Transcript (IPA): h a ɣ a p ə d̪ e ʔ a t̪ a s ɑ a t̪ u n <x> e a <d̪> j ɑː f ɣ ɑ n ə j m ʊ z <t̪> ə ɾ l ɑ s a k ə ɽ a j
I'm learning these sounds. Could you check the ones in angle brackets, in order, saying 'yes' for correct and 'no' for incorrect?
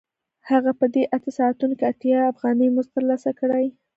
no, no, yes

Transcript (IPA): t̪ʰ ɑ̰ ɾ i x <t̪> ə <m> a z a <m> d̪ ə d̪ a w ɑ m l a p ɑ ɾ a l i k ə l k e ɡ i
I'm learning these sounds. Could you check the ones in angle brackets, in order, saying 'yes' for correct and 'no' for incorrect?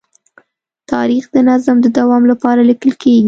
no, no, yes

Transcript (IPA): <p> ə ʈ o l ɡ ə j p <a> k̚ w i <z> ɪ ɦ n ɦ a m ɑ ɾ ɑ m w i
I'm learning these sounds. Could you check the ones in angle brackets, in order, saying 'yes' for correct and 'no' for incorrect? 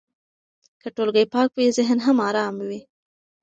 no, no, yes

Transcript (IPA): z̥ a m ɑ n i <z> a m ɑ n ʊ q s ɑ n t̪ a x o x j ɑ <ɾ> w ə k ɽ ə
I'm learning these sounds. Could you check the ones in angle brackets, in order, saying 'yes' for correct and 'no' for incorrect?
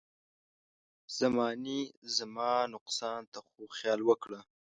yes, no

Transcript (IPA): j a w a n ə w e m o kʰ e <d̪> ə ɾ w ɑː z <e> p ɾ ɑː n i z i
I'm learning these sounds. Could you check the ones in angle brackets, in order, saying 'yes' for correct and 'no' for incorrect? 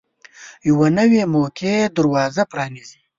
yes, no

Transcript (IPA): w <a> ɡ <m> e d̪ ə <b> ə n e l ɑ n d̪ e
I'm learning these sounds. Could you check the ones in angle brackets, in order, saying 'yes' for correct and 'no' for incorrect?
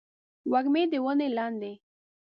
yes, yes, no

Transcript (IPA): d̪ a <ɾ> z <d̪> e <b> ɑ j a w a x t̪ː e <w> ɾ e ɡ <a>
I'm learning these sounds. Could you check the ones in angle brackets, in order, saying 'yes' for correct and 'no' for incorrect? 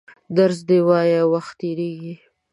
yes, yes, no, no, no

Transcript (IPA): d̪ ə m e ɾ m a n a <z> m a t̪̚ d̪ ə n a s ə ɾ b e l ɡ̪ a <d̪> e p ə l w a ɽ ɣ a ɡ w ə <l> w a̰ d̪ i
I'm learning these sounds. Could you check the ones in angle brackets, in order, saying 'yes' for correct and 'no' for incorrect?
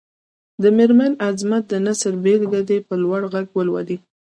yes, yes, yes

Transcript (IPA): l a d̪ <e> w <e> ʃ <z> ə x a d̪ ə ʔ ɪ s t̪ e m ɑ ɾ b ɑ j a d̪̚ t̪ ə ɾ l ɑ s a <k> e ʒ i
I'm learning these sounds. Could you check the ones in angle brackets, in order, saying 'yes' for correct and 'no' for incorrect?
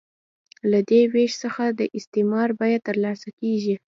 yes, yes, no, yes

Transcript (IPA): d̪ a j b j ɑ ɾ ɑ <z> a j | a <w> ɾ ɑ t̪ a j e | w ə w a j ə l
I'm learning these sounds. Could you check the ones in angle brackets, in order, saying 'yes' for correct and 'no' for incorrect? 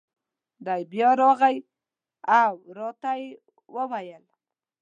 no, yes

